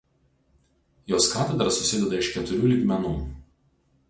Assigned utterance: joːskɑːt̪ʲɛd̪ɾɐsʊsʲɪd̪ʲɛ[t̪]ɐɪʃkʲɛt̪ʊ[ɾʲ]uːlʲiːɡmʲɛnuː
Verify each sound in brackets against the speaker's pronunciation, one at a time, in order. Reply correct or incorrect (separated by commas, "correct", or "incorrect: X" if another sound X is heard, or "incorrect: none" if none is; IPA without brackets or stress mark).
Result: incorrect: d̪, correct